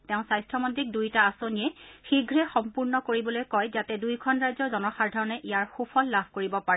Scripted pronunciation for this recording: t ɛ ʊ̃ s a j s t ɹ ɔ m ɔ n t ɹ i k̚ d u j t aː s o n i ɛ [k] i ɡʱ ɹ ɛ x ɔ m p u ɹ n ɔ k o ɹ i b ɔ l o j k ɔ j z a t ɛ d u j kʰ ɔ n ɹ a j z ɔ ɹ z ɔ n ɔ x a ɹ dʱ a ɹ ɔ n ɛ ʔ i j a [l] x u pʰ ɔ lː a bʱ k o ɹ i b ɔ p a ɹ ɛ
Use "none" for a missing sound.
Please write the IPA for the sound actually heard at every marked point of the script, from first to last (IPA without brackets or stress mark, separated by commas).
x, ɹ